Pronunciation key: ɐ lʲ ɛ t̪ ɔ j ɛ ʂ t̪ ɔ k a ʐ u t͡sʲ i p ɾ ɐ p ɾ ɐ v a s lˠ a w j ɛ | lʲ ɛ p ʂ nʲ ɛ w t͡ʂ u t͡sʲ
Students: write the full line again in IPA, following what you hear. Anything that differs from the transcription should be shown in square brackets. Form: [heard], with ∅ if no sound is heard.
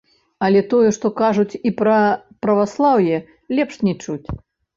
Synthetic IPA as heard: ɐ lʲ ɛ t̪ ɔ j ɛ ʂ t̪ ɔ k a ʐ u t͡sʲ i p ɾ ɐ p ɾ ɐ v a s lˠ a w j ɛ | lʲ ɛ p ʂ nʲ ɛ [∅] t͡ʂ u t͡sʲ